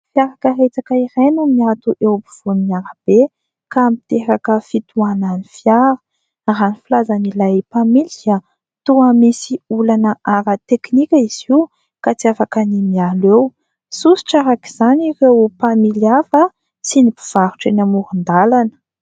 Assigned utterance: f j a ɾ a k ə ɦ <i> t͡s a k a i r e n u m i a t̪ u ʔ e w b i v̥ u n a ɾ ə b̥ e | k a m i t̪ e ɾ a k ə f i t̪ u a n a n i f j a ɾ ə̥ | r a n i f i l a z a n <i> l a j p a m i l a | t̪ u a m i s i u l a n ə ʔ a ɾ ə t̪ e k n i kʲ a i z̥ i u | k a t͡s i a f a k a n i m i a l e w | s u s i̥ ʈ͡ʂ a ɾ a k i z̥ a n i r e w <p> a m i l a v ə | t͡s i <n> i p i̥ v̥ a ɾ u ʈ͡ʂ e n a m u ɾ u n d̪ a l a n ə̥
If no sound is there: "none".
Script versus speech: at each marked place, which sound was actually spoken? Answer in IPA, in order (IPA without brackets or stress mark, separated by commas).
e, i, p, n